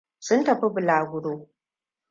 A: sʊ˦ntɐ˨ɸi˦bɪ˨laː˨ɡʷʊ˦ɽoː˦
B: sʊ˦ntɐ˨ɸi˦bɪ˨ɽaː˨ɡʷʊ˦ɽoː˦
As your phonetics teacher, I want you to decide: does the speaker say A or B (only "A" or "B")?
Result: A